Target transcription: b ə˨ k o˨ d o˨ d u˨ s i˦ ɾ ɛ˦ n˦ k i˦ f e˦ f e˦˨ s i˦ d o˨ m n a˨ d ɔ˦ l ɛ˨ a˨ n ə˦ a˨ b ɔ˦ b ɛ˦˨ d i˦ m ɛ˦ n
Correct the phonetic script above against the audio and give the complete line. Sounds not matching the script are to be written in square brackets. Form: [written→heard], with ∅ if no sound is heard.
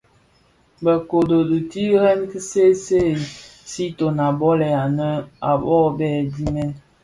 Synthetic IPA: b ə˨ k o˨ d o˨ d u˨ [s→t] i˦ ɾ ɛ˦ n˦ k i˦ [f→s] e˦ [f→s] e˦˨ s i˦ [d→t] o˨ [m→∅] n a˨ [d→b] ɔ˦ l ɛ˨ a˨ n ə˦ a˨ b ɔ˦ b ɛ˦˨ d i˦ m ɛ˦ n